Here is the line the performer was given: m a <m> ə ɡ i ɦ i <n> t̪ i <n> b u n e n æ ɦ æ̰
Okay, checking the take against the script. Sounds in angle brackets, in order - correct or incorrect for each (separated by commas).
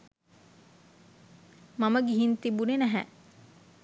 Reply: correct, correct, incorrect